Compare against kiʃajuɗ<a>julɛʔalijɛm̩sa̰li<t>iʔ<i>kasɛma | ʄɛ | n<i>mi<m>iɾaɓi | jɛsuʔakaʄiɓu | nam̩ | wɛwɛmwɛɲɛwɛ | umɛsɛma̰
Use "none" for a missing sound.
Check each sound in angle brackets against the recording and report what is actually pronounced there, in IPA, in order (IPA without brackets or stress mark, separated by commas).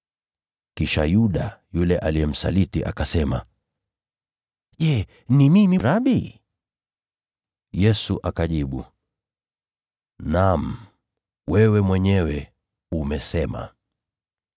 a, t, a, i, m